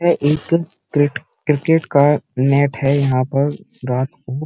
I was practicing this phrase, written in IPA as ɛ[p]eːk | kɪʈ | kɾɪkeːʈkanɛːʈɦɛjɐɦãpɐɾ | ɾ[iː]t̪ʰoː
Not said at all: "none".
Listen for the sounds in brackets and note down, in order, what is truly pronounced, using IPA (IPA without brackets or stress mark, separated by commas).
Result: ʔ, aː